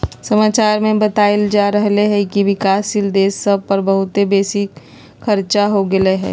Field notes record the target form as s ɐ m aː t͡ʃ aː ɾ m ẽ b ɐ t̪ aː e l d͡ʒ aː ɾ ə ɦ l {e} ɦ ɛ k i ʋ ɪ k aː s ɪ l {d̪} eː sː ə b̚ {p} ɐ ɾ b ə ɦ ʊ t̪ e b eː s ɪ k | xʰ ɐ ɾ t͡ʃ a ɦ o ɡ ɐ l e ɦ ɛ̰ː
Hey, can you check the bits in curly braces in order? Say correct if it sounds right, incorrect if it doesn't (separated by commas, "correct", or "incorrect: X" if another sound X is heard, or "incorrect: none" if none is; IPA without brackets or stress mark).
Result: correct, correct, correct